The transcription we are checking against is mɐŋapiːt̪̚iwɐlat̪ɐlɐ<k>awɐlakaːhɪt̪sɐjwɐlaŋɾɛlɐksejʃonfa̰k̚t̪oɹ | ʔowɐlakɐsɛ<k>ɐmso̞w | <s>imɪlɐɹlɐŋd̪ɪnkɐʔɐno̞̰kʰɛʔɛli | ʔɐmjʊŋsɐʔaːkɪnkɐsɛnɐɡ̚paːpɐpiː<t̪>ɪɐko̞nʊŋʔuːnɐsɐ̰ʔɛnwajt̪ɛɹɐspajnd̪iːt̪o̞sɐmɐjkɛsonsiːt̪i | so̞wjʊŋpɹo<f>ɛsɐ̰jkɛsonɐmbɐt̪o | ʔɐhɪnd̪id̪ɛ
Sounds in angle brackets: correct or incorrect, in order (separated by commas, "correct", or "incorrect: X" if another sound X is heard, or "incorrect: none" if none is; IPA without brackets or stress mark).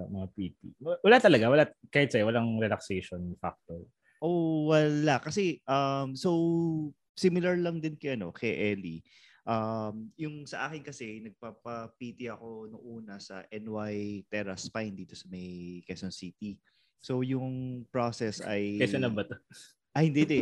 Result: incorrect: ɡ, incorrect: ʔ, correct, correct, incorrect: s